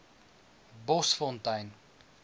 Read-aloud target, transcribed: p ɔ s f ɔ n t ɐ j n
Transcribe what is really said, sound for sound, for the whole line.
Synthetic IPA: b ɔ s f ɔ n t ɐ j n